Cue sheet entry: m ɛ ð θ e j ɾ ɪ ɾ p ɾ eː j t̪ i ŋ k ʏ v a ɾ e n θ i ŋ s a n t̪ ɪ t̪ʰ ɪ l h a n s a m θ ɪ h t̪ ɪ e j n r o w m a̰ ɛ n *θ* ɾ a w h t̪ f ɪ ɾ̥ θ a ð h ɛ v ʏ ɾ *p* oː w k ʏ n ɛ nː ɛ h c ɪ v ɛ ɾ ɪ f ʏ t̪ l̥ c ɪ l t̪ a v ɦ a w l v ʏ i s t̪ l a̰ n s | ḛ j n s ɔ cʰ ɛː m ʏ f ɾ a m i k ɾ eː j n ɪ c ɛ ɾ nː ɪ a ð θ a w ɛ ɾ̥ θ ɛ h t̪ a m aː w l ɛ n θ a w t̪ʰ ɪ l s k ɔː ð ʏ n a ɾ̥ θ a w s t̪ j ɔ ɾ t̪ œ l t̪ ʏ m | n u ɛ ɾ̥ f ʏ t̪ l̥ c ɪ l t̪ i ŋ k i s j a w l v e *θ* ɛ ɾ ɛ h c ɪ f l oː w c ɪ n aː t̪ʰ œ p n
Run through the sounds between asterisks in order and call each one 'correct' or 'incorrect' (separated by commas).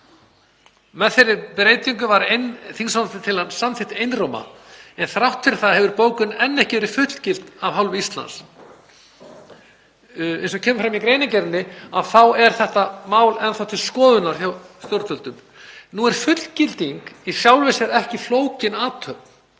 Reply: correct, correct, incorrect